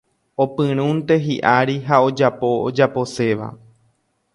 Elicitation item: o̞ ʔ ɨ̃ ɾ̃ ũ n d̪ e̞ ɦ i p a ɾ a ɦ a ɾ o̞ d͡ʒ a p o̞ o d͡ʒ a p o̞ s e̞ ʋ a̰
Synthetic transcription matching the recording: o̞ p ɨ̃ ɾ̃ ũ n t̪ e̞ ɦ i ʔ a ɾ i ɦ a o̞ d͡ʒ a p o̞ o d͡ʒ a p o̞ s e̞ ʋ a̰